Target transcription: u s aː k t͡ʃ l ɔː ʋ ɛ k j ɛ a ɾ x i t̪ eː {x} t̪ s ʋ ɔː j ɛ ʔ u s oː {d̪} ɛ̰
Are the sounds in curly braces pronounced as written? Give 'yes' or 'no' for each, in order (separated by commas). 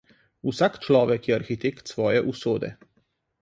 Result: no, yes